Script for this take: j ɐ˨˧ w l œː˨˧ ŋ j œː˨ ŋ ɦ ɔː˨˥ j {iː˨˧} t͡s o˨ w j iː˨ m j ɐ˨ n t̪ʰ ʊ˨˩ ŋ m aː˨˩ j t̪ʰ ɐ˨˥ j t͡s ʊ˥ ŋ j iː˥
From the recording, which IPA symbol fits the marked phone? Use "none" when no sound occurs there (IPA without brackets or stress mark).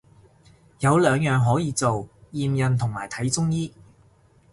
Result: iː˨˧